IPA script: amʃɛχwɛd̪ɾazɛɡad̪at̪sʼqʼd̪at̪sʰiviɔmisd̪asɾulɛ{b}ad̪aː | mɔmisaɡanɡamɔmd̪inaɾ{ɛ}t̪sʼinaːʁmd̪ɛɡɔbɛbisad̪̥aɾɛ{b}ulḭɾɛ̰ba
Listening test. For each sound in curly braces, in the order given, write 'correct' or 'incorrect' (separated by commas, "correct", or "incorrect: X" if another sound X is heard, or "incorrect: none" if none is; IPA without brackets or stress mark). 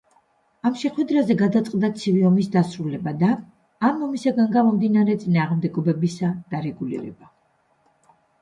correct, correct, incorrect: ɡ